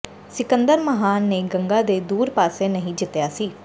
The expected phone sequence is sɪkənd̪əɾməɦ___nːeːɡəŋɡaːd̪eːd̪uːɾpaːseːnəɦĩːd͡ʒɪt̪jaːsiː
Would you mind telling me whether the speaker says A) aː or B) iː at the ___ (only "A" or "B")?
A